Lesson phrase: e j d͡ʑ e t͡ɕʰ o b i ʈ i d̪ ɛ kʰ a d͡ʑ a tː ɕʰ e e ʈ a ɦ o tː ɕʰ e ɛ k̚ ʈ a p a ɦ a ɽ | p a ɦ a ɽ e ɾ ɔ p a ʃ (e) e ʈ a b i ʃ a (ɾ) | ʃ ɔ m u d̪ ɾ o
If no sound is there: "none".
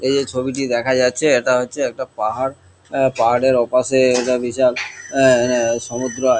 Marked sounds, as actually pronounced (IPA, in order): e, l

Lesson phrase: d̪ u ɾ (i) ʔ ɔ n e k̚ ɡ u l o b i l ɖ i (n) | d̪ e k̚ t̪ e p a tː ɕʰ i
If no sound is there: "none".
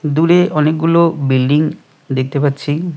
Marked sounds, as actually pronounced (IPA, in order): e, ŋ

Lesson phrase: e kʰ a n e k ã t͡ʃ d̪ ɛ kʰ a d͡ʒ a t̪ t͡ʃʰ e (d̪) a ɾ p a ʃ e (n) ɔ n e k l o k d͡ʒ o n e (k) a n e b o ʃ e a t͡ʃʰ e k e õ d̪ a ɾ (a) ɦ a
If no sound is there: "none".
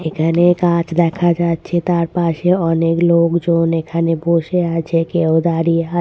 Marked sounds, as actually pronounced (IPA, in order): t̪, none, kʰ, i

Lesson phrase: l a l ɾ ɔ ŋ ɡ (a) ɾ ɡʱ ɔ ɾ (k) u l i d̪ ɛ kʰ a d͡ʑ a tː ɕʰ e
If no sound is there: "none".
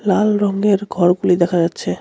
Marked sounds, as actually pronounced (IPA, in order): e, ɡ

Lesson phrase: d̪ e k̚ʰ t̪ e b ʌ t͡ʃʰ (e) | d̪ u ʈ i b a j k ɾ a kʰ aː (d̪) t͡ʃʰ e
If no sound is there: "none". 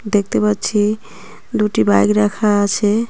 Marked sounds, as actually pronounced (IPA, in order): i, none

